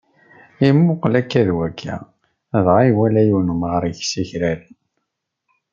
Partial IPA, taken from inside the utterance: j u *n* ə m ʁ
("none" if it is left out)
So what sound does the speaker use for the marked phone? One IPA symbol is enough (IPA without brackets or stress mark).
n